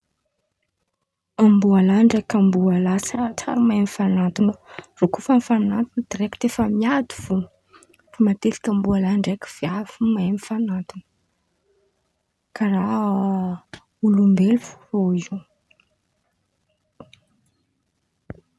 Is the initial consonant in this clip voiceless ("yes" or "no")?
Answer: no